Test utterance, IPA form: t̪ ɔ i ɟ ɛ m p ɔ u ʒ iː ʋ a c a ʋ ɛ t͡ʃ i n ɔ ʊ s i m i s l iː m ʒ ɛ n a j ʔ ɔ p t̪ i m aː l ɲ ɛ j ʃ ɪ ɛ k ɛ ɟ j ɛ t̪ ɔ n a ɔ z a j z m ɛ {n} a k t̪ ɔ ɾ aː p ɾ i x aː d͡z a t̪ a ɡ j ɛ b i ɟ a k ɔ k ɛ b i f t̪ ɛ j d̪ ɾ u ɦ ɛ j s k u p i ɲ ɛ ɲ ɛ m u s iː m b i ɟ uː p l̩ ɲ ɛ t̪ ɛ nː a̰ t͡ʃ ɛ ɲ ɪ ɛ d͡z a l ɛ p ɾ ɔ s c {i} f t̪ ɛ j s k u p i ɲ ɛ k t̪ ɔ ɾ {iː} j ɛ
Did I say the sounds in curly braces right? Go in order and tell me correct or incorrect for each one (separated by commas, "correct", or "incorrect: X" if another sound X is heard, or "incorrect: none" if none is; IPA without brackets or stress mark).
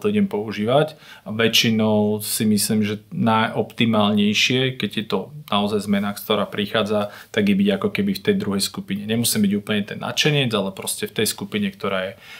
correct, incorrect: ɛ, incorrect: aː